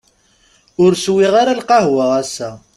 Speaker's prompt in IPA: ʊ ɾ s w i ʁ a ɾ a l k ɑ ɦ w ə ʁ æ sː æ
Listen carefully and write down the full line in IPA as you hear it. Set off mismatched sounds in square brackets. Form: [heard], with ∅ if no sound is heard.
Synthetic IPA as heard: ʊ ɾ s w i ʁ a ɾ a l [q] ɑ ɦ w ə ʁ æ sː æ